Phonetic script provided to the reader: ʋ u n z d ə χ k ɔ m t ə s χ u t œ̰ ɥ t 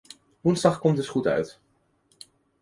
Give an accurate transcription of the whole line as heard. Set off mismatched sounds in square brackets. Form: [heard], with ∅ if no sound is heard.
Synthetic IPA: ʋ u n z d [ɑ] χ k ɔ m t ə s χ u t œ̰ ɥ t